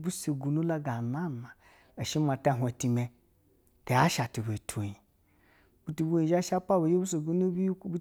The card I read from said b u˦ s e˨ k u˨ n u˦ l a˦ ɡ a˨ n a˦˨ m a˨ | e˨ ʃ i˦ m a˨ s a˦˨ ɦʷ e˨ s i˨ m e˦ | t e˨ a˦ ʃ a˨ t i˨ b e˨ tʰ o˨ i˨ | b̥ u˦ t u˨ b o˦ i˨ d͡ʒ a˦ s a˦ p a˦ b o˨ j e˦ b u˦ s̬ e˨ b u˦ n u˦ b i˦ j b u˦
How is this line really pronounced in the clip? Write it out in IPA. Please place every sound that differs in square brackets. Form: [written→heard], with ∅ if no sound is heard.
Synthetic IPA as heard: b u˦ s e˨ [k→ɡ] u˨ n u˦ l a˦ ɡ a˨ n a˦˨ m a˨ | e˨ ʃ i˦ m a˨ [s→t] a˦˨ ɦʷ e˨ [s→t] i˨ m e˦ | t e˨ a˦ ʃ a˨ t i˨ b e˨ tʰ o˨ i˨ | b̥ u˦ t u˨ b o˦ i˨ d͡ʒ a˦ [s→ʃ] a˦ p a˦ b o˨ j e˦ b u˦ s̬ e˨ [b→ɡ] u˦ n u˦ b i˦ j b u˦